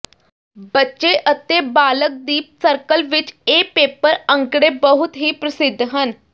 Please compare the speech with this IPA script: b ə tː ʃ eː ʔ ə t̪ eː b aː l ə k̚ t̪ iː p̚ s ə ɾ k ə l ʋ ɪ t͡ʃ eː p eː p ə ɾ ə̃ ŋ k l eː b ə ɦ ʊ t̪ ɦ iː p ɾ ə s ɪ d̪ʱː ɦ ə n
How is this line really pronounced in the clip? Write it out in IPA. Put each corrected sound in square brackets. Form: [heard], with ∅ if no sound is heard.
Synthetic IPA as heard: b ə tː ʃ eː ʔ ə t̪ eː b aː l ə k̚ [d̪] iː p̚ s ə ɾ k ə l ʋ ɪ t͡ʃ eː p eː p ə ɾ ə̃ ŋ k [ɽ] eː b ə ɦ ʊ t̪ ɦ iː p ɾ ə s ɪ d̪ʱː ɦ ə n